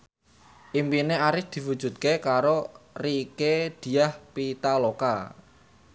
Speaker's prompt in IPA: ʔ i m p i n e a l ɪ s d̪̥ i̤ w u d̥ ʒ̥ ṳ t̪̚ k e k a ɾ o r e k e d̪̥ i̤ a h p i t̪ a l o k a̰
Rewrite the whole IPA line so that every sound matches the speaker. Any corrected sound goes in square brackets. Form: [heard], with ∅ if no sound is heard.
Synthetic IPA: ʔ i m p i n e a [ɾ] ɪ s d̪̥ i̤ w u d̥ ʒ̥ ṳ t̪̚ k e k a ɾ o r [i] k e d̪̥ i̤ a h p i t̪ a l o k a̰